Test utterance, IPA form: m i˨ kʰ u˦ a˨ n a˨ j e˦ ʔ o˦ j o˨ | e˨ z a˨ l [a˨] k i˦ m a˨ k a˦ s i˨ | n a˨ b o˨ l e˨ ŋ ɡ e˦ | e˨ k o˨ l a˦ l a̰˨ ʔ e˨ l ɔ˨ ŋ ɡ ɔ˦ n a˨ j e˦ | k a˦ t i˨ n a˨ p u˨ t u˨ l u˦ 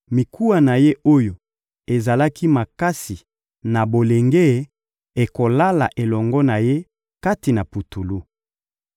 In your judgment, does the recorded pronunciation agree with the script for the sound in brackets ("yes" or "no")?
no